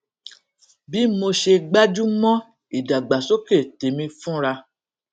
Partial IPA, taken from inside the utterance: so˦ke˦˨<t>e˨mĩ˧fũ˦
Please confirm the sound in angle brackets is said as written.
yes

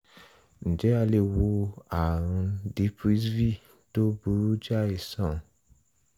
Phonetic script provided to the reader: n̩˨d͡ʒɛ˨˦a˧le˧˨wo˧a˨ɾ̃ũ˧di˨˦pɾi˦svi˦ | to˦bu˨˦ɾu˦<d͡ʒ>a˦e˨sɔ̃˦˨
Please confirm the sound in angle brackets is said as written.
yes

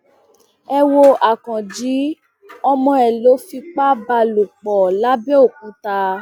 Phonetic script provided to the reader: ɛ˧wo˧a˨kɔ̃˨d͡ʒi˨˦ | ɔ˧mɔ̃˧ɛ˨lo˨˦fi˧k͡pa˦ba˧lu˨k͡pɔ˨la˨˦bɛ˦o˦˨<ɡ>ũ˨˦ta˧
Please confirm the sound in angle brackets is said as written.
no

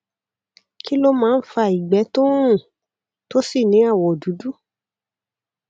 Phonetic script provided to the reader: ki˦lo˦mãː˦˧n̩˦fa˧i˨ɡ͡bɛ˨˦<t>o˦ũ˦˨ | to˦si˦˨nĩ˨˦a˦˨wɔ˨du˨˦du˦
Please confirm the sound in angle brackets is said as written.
yes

